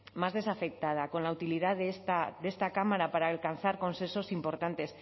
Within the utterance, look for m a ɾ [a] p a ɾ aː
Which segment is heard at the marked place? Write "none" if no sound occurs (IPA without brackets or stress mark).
a